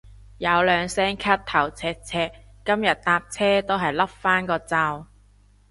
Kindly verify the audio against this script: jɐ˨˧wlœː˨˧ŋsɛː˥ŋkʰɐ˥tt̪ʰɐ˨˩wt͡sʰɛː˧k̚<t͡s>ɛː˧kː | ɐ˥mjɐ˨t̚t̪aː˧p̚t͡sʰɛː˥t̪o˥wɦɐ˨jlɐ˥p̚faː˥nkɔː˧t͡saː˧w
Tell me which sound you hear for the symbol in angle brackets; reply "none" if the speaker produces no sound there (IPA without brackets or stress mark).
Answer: t͡sʰ